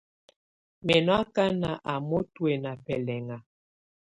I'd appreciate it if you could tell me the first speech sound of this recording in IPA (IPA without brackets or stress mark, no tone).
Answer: m